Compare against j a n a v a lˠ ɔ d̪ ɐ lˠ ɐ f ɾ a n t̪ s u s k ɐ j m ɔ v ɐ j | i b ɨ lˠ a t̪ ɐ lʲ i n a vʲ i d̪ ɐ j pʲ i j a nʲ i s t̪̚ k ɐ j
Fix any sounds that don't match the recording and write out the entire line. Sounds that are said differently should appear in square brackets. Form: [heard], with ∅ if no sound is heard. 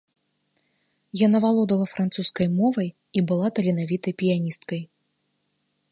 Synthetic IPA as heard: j a n a v a lˠ ɔ d̪ ɐ lˠ ɐ f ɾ a n t̪ s u s k ɐ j m ɔ v ɐ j | i b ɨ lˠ a t̪ ɐ lʲ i n a vʲ i [t̪] ɐ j pʲ i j a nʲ i s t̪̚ k ɐ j